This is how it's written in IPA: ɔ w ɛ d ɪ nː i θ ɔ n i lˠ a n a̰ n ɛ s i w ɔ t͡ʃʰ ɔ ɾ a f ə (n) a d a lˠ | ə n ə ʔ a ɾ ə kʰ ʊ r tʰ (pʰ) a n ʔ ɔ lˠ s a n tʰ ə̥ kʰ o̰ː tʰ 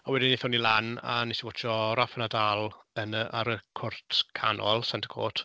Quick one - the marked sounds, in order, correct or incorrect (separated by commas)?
correct, incorrect